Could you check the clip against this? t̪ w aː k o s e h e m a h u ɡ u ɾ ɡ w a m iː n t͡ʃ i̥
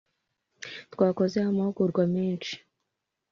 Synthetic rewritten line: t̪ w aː k o z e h a m a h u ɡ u ɾ ɡ w a m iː n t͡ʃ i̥